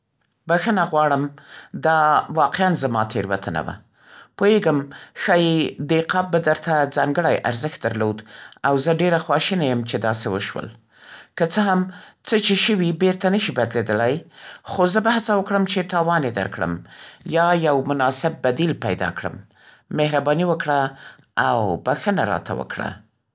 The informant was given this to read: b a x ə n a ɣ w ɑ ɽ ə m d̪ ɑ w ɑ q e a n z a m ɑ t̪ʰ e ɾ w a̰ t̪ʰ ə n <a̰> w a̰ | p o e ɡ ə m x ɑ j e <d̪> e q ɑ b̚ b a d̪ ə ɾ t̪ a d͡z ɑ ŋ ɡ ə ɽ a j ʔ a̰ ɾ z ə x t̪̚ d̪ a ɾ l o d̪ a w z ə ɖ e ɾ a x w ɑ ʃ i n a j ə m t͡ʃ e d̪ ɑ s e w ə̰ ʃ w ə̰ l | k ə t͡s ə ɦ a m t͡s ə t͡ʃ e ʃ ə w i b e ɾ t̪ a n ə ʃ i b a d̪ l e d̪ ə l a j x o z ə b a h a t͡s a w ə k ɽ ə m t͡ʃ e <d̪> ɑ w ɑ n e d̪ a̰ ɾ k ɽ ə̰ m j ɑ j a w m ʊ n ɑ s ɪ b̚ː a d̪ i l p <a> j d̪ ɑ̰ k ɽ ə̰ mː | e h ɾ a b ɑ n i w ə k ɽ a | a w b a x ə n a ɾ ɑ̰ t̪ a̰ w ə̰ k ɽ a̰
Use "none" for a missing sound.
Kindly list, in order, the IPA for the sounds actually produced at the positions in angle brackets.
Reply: a̰, d̪, t̪, a

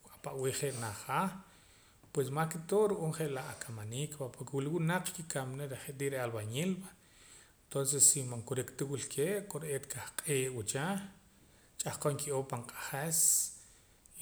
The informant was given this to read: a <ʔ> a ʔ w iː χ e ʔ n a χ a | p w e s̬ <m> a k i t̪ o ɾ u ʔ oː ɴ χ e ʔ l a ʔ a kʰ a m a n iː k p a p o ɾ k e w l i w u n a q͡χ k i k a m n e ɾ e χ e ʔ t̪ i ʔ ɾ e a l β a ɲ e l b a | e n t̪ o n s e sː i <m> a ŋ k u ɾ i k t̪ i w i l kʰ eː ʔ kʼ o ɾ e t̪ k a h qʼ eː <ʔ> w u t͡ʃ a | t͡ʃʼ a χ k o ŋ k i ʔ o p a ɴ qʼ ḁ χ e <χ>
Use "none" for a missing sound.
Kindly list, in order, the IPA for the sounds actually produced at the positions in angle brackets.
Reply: p, m, m, ʔ, s

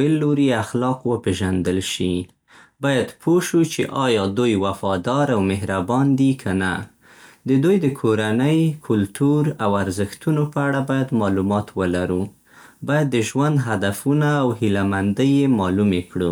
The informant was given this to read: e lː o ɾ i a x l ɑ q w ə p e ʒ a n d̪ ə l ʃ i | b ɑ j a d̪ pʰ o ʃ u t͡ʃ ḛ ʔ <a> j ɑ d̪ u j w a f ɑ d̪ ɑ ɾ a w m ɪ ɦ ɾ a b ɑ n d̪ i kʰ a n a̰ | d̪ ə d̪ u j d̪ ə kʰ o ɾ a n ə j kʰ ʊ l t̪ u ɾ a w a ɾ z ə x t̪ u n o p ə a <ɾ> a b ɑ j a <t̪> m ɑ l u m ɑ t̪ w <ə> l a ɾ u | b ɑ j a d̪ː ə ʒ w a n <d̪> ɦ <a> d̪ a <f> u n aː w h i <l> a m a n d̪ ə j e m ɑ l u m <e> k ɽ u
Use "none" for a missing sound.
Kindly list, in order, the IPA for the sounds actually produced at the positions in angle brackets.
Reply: ɑ, ɽ, d̪, ə, d̪, a, f, l, e

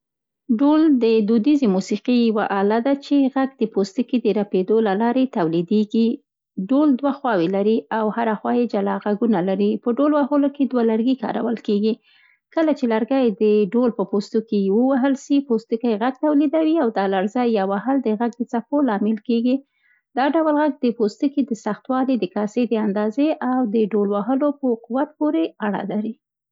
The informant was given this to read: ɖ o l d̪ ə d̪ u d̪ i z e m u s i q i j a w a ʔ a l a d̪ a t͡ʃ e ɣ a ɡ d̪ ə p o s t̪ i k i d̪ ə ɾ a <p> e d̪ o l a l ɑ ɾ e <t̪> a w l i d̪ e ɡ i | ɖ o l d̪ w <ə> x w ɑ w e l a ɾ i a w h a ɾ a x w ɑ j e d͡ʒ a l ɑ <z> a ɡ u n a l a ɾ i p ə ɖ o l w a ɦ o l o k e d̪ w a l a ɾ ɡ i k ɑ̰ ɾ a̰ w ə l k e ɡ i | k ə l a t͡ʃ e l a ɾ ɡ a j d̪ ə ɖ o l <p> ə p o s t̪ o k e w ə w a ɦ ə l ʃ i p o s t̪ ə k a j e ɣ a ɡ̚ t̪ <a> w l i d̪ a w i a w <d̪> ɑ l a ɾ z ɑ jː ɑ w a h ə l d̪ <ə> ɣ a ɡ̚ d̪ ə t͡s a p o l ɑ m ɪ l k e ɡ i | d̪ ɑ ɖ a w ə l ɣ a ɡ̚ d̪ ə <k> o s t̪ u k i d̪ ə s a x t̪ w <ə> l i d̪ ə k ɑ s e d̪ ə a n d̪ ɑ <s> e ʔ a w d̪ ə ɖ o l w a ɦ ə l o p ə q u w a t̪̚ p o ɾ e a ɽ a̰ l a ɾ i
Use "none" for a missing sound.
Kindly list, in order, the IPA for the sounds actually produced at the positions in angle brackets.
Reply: p, t̪, a, ɣ, p, a, d̪, ə, p, ɑ, z

